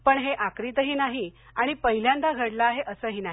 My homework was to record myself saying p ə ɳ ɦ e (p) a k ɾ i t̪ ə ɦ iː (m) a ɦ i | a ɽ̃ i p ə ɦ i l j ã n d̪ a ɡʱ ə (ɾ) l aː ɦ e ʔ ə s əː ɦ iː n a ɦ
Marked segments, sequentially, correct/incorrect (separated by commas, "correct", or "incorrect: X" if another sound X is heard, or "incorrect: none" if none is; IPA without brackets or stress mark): incorrect: ʔ, incorrect: n, incorrect: ɽ